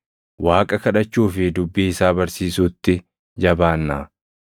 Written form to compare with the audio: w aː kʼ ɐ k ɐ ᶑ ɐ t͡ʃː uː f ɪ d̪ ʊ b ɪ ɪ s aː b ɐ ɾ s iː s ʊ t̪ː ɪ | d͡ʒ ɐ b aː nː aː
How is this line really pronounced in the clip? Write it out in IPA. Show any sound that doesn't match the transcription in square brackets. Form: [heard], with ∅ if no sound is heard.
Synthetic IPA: w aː kʼ ɐ k ɐ ᶑ ɐ t͡ʃː uː f ɪ d̪ ʊ [bː] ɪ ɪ s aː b ɐ ɾ s iː s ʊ t̪ː ɪ | d͡ʒ ɐ b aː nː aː